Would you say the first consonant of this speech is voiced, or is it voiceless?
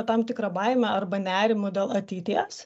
voiceless